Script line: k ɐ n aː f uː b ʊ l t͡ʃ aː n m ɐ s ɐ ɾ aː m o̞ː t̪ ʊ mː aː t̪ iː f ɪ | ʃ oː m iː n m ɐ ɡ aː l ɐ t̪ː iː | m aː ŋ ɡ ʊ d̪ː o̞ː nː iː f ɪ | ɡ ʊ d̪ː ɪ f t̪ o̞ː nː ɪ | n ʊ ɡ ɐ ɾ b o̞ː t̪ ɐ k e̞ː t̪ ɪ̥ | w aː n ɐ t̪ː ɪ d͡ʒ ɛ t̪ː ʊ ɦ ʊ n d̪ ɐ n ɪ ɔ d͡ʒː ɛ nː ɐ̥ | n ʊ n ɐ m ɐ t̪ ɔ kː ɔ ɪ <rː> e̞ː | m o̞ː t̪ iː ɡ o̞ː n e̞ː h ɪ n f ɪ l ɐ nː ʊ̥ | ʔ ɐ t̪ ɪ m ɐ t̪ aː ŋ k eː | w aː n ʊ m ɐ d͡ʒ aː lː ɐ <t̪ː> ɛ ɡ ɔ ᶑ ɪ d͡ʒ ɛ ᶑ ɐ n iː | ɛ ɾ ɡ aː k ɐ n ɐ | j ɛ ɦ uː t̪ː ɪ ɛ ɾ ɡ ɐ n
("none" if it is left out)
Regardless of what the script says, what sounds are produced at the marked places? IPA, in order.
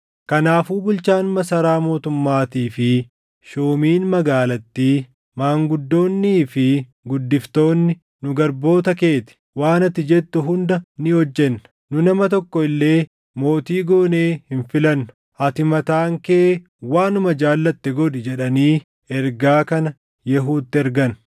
lː, t̪ː

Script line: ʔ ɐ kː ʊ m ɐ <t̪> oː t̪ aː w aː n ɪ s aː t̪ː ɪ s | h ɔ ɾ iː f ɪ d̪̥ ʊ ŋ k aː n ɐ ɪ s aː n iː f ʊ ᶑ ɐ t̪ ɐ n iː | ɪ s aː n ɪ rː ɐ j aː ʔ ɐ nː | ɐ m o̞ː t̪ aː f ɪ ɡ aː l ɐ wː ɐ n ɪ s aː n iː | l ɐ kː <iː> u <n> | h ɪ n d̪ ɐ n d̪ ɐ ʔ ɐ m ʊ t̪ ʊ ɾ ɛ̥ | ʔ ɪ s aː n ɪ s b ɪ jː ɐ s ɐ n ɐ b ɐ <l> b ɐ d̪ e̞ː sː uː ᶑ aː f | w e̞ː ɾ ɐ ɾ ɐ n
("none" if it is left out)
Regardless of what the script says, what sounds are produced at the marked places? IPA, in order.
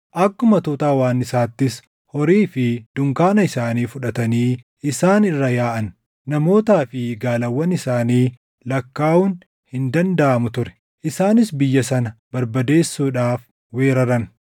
t̪, aː, n, ɾ

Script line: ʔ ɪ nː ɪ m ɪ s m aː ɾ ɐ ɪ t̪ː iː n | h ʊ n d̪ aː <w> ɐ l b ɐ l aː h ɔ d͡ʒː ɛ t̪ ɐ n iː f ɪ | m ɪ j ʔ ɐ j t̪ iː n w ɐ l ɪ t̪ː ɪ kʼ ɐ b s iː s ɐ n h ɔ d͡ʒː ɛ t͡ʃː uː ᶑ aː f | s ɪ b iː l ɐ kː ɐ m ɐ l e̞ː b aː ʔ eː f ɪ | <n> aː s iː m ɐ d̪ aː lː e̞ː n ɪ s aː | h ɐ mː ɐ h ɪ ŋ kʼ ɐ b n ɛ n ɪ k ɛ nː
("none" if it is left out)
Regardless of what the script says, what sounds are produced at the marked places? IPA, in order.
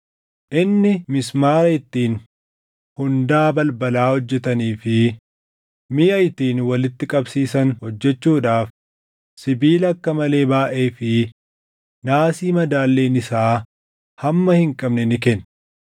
b, n

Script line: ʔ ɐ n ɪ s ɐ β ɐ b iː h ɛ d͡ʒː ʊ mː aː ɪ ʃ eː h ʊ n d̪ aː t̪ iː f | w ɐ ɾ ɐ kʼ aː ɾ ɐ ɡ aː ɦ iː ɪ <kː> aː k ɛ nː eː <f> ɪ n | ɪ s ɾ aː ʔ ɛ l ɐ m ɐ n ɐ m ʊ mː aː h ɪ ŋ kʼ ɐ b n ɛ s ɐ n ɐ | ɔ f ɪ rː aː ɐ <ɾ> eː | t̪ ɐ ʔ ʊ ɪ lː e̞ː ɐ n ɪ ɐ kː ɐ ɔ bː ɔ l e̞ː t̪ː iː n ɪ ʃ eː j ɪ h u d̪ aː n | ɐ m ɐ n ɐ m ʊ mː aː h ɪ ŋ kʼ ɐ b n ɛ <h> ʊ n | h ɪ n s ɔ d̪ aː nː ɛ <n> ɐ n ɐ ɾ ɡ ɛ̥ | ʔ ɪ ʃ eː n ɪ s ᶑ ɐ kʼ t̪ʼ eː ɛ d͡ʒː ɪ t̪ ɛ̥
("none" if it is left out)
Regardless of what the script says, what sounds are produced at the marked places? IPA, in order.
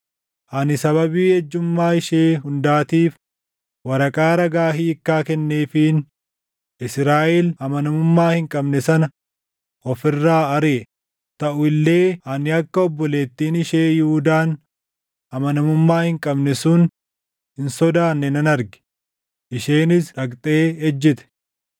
kː, f, ɾ, s, n

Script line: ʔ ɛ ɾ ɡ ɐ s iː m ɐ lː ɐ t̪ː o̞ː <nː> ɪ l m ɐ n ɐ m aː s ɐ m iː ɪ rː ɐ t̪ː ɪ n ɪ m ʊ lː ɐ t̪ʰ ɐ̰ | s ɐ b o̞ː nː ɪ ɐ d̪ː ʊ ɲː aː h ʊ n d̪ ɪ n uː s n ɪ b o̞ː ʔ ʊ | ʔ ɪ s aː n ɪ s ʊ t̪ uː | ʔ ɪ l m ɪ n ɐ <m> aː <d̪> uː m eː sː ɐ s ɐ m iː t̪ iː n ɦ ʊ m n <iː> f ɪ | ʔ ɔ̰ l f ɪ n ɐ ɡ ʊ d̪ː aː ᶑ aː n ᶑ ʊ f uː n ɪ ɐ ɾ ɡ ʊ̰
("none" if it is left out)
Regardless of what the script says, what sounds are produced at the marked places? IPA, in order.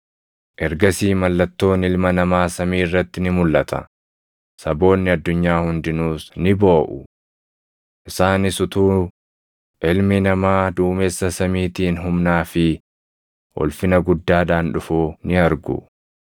n, m, d̪, aː

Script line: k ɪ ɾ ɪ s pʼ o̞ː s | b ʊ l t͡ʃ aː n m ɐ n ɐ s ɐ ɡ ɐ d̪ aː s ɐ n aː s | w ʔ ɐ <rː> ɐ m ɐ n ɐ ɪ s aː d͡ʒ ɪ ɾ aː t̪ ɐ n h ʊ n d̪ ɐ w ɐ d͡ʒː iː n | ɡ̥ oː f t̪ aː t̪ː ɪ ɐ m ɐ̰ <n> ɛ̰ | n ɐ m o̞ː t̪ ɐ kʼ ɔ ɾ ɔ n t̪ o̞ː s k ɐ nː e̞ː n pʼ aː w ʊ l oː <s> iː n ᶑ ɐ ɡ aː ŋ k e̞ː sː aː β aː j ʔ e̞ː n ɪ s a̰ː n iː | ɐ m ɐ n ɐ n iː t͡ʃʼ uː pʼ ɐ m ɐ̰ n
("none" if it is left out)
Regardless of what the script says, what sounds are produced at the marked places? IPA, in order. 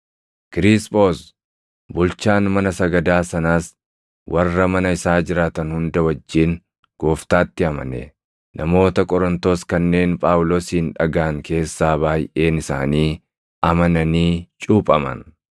rː, n, s

